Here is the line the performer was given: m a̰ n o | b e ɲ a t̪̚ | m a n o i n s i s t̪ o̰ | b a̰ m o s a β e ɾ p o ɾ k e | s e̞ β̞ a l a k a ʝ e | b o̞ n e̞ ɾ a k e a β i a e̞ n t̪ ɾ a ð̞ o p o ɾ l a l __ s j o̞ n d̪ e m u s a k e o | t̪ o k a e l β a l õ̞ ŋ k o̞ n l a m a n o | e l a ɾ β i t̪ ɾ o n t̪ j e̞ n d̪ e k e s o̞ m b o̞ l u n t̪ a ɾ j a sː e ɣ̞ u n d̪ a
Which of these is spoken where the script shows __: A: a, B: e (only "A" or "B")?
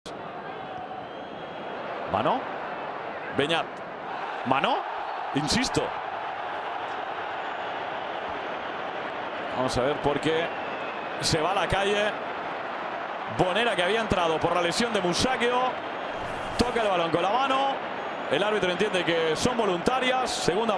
B